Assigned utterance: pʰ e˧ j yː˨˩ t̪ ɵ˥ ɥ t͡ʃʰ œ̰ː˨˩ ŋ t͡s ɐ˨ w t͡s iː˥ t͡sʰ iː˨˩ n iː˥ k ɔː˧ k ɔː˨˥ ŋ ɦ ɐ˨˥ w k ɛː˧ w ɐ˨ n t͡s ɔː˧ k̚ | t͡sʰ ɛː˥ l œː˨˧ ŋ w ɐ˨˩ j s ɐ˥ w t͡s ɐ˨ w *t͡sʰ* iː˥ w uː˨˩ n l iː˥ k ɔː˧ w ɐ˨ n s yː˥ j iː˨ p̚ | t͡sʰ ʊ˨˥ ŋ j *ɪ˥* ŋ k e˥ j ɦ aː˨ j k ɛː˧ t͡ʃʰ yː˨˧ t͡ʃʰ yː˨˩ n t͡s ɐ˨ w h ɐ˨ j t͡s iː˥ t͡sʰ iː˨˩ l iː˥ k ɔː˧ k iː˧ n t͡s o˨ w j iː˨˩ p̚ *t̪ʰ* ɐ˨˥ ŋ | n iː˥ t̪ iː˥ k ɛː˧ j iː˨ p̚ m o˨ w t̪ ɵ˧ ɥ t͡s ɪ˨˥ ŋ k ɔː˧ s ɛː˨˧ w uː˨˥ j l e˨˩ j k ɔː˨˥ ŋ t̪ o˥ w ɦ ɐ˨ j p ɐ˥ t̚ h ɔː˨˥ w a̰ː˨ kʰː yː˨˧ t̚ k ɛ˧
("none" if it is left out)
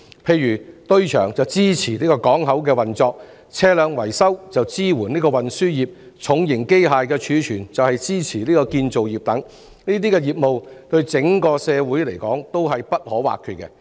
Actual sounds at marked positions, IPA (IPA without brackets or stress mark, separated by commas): t͡s, ɪ˨˩, t̪